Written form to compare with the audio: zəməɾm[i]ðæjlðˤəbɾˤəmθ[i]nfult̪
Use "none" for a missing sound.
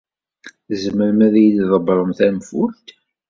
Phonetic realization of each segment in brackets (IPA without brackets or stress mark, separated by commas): æ, æ